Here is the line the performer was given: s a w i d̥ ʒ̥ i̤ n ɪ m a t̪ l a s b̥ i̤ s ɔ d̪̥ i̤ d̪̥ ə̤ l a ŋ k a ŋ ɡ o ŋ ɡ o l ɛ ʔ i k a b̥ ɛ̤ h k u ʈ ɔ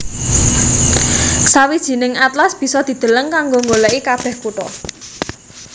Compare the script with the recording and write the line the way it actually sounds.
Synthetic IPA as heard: s a w i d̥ ʒ̥ i̤ n ɪ ŋ a t̪ l a s b̥ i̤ s ɔ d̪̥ i̤ d̪̥ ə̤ l ə ŋ k a ŋ ɡ o ŋ ɡ o l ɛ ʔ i k a b̥ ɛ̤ h k u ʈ ɔ